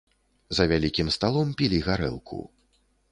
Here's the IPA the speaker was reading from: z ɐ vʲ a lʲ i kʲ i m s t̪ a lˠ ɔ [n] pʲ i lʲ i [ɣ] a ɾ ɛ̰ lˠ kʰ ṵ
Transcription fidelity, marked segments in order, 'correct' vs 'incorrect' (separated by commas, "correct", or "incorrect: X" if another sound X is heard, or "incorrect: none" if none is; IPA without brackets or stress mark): incorrect: m, correct